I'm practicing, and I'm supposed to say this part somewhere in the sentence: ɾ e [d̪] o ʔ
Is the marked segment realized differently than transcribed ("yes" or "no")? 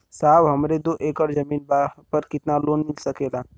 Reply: no